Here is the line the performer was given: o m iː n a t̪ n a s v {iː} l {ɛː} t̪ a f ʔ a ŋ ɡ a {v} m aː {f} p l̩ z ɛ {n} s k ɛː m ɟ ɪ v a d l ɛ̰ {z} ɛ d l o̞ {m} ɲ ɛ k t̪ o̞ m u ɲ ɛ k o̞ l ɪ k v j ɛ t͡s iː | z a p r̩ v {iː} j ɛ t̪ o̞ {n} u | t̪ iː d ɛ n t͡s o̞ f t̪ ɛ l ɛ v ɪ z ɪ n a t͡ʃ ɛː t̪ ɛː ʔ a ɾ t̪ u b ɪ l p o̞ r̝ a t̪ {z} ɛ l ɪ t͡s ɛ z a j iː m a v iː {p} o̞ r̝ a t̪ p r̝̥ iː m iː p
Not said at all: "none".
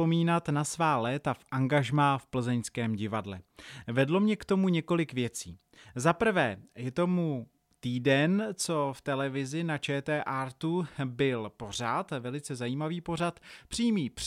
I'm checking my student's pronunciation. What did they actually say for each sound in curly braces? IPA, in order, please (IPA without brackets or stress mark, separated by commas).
aː, ɛː, ʒ, f, ɲ, v, m, ɛː, m, v, p